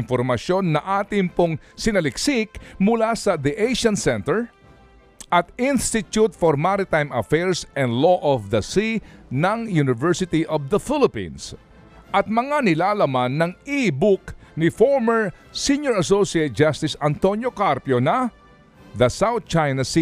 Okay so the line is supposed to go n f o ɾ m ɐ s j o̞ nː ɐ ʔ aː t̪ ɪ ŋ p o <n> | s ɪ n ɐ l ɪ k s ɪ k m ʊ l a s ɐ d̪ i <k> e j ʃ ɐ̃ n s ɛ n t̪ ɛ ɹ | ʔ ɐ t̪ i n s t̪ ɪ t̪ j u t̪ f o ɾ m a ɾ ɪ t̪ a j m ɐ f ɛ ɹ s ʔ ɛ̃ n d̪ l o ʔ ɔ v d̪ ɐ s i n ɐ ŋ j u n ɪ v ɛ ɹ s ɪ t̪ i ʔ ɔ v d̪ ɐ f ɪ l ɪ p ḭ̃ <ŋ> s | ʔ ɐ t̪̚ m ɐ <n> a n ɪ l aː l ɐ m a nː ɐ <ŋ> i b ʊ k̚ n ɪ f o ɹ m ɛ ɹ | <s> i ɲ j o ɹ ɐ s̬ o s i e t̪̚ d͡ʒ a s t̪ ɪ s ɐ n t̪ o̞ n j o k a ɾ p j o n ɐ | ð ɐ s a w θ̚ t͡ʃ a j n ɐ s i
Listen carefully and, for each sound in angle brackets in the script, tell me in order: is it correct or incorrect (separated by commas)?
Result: incorrect, incorrect, incorrect, incorrect, correct, correct